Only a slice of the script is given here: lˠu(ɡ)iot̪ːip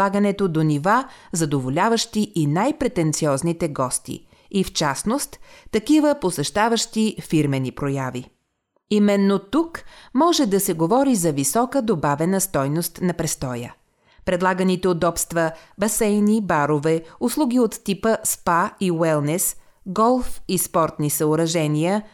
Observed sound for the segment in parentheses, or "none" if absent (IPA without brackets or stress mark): ɡ